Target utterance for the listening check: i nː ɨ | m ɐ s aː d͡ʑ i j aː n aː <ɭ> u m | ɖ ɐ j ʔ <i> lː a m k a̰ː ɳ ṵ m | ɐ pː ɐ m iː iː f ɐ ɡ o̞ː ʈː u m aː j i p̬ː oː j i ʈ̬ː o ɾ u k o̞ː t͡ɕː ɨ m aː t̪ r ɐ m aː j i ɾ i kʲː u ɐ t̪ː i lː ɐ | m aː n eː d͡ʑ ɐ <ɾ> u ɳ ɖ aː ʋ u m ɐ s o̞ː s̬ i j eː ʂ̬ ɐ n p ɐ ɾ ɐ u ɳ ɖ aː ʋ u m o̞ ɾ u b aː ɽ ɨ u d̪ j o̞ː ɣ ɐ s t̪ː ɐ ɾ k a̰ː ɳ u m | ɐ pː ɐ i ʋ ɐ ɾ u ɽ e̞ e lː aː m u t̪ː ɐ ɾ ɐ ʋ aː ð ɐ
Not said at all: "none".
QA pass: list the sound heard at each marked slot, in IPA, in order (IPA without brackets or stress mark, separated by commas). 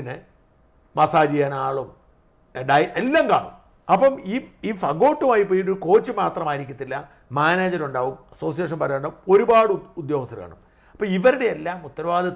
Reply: ɭ, e, ɾ